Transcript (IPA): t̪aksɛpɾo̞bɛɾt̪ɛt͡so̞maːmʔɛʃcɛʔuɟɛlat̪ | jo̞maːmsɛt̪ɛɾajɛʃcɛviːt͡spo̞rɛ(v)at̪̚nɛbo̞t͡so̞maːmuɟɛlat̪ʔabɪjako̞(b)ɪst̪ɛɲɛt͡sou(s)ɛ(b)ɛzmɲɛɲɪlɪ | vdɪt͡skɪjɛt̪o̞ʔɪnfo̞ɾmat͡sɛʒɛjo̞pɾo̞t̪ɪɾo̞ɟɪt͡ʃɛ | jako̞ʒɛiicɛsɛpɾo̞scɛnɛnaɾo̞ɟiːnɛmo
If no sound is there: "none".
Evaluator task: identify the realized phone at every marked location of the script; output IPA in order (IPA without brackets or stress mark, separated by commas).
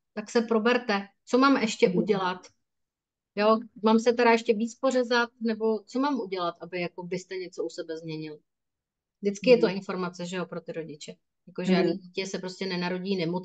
z, b, s, b